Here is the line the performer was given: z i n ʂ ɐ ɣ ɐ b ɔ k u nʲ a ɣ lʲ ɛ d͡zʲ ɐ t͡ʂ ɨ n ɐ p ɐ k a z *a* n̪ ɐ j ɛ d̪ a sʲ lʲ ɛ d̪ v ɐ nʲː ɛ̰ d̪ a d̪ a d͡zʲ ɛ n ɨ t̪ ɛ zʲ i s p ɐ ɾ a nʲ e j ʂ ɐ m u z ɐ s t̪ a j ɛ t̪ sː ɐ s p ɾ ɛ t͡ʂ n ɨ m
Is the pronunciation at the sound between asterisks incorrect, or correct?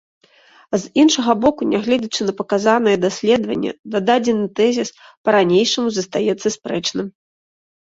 correct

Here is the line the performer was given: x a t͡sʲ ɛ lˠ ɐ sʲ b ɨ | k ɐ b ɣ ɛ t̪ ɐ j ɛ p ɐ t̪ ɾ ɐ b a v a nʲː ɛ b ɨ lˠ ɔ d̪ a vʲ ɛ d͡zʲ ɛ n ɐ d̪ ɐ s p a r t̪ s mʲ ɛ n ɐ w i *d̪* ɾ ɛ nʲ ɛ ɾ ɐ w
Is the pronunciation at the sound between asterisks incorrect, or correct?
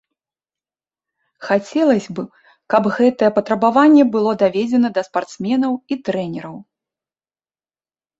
incorrect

